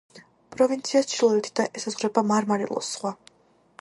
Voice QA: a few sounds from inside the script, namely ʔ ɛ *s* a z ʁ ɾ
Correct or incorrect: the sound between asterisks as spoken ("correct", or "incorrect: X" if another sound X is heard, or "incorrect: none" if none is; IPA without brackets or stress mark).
correct